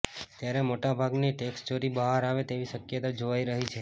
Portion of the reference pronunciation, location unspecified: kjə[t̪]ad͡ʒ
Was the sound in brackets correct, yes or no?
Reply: yes